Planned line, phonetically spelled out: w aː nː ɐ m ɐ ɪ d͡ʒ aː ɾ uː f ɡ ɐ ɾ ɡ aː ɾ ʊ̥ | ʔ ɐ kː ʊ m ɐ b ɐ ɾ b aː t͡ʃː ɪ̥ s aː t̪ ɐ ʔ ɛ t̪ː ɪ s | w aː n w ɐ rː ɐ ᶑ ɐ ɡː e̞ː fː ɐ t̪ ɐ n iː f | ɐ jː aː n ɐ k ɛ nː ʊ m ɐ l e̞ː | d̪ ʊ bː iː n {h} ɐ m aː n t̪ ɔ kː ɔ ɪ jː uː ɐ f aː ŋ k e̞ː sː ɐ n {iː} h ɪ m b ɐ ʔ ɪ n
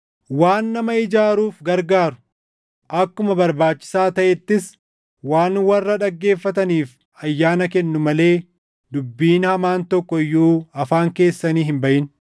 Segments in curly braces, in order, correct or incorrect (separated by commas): correct, correct